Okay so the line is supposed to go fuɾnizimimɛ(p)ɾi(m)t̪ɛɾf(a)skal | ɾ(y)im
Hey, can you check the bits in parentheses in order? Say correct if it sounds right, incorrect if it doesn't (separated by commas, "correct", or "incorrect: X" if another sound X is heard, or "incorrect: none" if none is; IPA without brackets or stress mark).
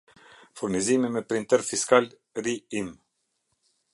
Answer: correct, incorrect: n, incorrect: i, incorrect: i